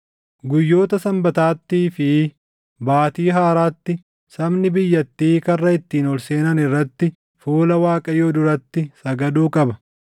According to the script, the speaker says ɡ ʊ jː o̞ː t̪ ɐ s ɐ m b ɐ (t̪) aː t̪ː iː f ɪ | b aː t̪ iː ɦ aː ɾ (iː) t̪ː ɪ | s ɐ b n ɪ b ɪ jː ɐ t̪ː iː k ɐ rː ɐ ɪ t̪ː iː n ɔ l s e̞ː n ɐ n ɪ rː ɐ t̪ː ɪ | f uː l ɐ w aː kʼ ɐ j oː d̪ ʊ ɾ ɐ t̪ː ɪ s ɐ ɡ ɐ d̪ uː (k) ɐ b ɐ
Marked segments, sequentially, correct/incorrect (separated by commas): correct, incorrect, incorrect